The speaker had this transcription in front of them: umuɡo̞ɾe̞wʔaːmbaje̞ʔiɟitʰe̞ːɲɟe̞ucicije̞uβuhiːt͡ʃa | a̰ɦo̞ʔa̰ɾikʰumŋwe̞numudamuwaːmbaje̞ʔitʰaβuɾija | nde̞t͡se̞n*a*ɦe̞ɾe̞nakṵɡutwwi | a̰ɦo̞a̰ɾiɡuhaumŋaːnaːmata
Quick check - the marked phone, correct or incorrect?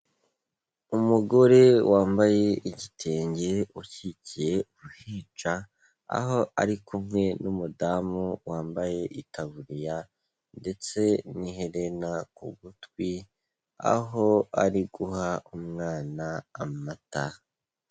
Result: incorrect